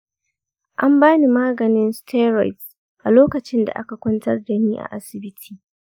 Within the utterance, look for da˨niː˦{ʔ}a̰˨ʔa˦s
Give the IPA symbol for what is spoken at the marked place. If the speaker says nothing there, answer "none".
ʔ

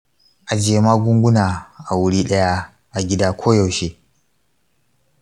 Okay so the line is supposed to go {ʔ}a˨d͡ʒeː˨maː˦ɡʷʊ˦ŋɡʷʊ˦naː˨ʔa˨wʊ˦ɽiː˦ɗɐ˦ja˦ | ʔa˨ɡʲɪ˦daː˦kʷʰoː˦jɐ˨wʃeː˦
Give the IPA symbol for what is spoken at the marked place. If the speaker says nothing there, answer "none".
ʔ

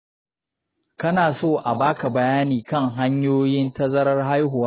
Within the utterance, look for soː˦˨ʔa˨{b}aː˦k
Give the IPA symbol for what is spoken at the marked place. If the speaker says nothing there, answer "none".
b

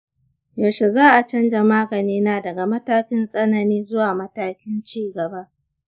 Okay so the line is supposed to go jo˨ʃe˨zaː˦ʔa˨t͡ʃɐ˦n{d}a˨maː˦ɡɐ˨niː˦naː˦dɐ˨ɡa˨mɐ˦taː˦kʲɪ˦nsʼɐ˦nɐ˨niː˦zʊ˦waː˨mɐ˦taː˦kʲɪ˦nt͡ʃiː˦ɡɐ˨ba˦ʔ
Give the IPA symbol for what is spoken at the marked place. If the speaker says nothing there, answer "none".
d͡ʒ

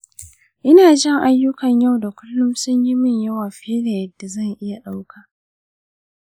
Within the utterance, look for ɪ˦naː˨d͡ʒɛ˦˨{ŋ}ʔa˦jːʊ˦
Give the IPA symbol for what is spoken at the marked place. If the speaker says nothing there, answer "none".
ŋ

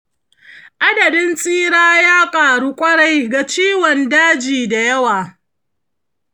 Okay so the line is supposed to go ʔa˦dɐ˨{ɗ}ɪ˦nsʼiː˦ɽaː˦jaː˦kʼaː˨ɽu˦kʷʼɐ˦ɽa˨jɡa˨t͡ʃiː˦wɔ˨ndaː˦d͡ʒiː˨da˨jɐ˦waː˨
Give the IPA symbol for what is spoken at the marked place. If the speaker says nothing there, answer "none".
d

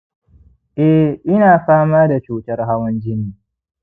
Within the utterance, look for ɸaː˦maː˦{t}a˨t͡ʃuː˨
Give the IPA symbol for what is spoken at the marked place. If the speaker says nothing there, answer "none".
d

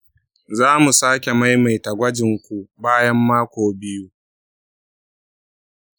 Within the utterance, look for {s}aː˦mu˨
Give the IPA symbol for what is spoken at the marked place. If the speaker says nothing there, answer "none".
z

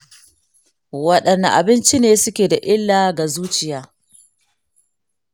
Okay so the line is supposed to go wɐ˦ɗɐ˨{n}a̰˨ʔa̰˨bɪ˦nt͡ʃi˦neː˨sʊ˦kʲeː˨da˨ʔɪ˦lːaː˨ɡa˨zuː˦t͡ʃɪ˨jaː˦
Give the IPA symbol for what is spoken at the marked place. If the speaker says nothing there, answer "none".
nː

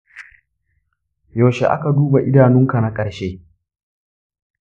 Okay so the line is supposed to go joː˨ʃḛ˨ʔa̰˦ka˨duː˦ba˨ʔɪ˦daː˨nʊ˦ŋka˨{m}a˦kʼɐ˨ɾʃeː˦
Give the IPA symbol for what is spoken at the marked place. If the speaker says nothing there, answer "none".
n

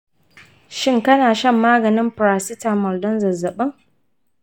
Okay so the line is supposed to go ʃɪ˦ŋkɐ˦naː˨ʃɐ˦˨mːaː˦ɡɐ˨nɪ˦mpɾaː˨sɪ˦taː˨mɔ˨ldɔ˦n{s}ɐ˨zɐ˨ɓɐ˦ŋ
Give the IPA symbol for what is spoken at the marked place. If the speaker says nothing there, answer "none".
z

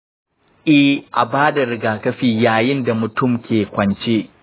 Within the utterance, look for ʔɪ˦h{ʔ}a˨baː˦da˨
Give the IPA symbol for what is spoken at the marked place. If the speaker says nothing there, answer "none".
ʔ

